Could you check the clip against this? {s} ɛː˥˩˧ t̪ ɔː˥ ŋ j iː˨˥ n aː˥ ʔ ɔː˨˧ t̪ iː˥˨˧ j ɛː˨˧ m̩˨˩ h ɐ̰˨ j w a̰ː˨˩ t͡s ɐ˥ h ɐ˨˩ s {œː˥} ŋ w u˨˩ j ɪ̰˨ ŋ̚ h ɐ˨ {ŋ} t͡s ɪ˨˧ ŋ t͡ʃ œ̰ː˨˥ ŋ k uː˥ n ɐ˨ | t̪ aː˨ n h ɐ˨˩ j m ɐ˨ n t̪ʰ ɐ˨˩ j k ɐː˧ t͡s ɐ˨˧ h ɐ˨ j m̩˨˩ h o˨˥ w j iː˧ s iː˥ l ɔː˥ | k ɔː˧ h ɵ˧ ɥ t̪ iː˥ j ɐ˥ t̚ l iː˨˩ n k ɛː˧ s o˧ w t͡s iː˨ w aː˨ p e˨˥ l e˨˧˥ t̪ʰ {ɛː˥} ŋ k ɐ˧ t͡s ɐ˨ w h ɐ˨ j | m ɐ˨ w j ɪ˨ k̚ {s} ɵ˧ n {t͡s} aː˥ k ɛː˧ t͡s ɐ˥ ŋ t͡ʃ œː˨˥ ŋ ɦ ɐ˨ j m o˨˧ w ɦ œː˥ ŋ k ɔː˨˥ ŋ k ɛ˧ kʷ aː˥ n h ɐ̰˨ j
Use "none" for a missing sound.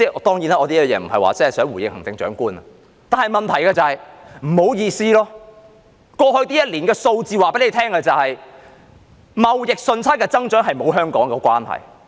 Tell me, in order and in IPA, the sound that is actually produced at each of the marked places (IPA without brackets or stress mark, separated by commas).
t͡s, œː˨˥, ŋ, ɛː˥, s, t͡sʰ